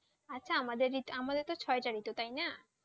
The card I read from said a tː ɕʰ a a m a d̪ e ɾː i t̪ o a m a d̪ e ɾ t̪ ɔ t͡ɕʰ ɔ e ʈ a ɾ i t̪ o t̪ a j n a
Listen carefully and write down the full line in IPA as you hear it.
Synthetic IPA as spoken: a tː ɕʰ a a m a d̪ e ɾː i t̪ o a m a d̪ e ɾ t̪ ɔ t͡ɕʰ ɔ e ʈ a ɾ i t̪ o t̪ a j n a